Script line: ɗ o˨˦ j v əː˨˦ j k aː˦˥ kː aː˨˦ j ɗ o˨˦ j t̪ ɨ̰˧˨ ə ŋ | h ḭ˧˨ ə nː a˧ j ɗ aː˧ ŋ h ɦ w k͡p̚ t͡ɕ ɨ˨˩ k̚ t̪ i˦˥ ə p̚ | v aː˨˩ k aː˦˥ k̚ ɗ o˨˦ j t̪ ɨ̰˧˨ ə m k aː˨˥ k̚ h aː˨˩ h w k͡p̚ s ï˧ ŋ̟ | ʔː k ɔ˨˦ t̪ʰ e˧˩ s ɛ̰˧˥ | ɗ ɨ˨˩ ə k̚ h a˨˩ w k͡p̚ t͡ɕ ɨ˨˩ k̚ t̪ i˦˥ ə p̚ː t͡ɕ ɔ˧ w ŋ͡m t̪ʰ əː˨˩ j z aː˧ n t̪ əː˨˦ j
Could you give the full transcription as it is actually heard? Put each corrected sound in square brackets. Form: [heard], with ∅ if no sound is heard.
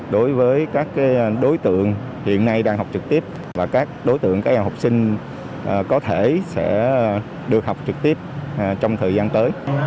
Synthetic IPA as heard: ɗ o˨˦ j v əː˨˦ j k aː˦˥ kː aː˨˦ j ɗ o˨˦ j t̪ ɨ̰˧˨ ə ŋ | h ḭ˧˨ ə nː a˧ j ɗ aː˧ ŋ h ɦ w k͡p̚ t͡ɕ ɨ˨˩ k̚ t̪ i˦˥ ə p̚ | v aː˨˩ k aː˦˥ k̚ ɗ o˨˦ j t̪ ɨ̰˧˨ ə [ŋ] k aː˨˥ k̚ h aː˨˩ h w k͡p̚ s ï˧ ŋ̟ | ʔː k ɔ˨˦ t̪ʰ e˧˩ s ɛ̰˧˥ | ɗ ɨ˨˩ ə k̚ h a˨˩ w k͡p̚ t͡ɕ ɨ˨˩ k̚ t̪ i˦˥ ə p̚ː t͡ɕ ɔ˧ w ŋ͡m t̪ʰ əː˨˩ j z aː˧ n t̪ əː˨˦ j